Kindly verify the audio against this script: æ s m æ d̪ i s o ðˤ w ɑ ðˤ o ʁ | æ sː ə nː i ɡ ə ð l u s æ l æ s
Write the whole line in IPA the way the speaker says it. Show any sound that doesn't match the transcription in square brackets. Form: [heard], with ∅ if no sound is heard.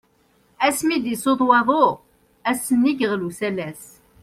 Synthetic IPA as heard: æ s m [i] d̪ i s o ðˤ w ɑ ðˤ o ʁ | æ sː ə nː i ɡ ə [ʁ] l u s æ l æ s